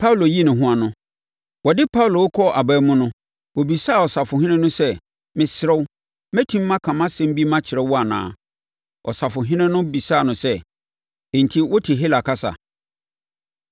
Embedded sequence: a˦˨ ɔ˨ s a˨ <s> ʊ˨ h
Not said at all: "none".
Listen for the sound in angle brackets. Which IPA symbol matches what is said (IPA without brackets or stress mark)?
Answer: f